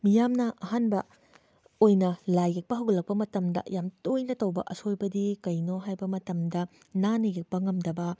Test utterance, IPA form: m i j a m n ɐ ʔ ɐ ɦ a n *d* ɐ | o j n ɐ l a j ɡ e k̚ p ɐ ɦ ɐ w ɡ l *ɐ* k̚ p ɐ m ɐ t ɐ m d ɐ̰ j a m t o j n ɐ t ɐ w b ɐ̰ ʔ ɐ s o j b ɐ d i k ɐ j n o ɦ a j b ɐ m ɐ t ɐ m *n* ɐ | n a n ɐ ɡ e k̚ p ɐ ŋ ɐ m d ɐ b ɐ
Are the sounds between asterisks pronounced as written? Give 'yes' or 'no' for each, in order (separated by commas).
no, yes, no